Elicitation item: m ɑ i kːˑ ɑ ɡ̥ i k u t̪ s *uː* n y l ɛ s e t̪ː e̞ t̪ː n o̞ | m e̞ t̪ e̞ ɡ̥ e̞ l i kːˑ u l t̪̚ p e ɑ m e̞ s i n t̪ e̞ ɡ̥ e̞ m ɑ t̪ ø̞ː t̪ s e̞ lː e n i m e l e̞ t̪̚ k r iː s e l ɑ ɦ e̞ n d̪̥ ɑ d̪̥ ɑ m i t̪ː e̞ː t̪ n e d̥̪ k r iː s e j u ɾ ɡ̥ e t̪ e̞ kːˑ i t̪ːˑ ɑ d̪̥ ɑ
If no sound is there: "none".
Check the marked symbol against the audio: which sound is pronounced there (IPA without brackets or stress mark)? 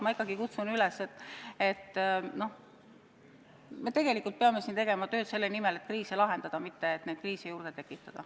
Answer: u